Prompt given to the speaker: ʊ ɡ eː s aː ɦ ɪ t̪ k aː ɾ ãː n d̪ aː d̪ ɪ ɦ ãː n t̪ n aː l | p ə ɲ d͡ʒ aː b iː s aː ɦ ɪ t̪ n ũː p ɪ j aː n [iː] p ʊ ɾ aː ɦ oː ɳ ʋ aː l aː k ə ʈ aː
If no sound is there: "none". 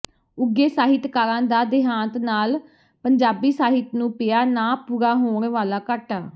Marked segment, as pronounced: aː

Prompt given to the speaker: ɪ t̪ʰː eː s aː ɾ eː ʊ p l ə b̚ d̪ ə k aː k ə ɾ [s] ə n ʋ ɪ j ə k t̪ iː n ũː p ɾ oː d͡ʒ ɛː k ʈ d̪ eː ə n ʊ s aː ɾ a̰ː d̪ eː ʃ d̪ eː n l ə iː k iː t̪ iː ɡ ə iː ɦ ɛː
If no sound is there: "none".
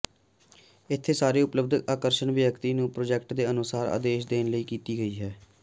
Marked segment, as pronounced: ʃ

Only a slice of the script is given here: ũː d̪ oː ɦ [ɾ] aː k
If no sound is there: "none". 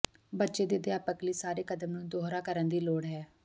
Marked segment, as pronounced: ɾ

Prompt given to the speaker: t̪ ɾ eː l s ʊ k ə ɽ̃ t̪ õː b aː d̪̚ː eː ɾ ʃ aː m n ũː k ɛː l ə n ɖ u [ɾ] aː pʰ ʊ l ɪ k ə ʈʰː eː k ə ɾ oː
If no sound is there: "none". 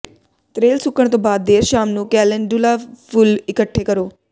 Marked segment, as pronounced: l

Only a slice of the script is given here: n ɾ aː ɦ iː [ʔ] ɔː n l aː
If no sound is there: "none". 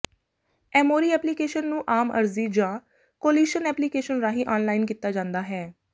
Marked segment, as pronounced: ʔ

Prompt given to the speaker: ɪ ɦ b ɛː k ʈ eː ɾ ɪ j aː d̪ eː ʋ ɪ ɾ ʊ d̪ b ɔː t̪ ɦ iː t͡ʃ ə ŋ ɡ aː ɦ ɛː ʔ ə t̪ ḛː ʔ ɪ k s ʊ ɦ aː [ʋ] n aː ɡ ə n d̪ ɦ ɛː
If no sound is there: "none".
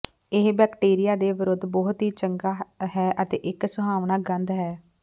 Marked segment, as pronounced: ʋ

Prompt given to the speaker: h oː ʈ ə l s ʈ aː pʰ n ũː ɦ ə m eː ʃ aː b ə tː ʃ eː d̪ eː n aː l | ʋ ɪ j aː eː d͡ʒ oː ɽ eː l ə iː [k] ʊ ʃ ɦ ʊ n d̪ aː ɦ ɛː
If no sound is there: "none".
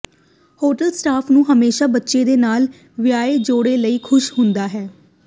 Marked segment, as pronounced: kʰ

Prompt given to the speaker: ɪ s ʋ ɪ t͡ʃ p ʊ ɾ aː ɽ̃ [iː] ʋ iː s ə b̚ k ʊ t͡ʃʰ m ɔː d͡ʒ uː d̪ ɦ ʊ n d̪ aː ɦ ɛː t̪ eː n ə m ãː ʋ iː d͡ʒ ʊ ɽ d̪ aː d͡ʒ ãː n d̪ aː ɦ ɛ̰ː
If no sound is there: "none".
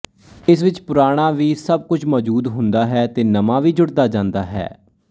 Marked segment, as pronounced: aː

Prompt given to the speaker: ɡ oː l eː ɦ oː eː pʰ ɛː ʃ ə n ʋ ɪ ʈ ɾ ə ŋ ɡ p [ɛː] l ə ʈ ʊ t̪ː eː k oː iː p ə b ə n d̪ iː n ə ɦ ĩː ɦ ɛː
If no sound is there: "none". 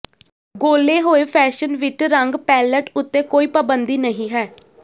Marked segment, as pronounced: ɛː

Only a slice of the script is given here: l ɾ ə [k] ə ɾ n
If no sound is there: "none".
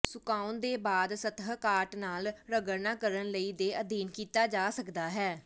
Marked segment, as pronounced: ɡ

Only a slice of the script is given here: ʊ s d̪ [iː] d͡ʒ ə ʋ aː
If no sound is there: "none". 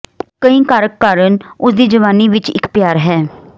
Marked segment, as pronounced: iː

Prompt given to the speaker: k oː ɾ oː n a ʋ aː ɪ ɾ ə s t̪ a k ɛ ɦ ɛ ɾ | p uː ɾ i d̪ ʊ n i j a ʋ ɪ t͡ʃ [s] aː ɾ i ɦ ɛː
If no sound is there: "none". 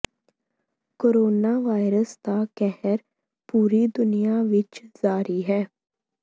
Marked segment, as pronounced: z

